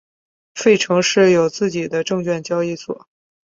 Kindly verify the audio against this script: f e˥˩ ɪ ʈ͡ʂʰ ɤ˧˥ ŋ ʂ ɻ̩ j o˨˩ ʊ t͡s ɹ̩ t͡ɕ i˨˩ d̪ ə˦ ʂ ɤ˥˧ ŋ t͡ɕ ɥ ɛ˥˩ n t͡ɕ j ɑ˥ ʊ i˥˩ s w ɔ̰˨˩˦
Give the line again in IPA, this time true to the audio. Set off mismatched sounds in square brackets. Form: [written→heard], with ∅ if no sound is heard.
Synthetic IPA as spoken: f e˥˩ ɪ ʈ͡ʂʰ ɤ˧˥ ŋ ʂ ɻ̩ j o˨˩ ʊ t͡s ɹ̩ t͡ɕ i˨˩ d̪ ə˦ [ʂ→ʈ͡ʂ] ɤ˥˧ ŋ t͡ɕ ɥ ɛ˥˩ n t͡ɕ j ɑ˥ ʊ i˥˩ s w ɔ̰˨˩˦